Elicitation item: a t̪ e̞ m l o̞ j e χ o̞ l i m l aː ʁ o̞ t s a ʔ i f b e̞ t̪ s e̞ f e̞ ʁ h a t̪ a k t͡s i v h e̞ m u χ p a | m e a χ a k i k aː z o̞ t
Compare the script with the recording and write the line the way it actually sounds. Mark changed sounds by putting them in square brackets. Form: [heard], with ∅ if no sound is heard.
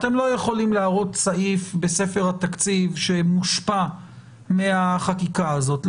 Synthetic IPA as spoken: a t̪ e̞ m l o̞ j e χ o̞ l i m l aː ʁ o̞ t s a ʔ i f b e̞ [∅] s e̞ f e̞ ʁ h a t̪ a k t͡s i v [ʃ] e̞ m u [ʃ] p a | m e a χ a k i k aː z o̞ t